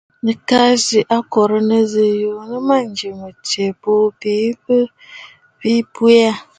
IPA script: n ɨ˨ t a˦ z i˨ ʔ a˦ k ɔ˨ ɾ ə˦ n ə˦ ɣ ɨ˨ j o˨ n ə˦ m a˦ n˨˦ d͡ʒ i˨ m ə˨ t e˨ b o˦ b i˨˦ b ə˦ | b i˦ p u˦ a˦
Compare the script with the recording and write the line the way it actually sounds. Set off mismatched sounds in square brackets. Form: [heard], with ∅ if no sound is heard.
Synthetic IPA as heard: n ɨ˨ [k] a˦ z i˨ ʔ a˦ k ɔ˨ ɾ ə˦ n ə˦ [z] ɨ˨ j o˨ n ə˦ m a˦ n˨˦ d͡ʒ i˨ m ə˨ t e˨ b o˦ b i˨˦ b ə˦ | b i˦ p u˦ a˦